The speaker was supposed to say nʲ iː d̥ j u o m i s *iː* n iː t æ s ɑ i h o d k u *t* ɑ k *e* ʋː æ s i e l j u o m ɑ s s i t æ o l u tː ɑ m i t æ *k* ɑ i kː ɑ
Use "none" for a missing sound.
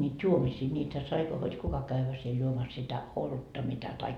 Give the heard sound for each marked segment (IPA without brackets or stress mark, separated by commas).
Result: iː, k, æ, t